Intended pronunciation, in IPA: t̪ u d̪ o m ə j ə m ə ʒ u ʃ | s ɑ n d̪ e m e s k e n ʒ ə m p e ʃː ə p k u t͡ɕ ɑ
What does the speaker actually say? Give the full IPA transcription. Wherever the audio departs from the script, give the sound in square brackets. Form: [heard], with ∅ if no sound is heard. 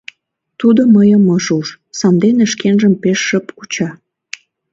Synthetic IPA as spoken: t̪ u d̪ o m ə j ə m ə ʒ u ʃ | s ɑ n d̪ e [n] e [ʃ] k e n ʒ ə m p e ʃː ə p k u t͡ɕ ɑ